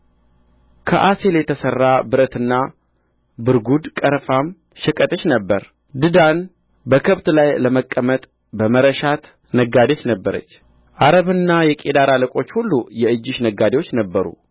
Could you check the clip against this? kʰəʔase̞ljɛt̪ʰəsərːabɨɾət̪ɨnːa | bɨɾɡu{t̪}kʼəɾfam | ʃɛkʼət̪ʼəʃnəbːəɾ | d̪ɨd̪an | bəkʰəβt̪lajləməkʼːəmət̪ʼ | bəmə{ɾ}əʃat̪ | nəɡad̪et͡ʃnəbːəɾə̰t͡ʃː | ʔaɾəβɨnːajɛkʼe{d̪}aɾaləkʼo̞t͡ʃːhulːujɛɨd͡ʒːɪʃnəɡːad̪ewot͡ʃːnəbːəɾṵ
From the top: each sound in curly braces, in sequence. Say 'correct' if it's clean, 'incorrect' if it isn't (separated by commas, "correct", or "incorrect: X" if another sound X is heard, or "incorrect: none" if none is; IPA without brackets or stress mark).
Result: incorrect: d̪, correct, correct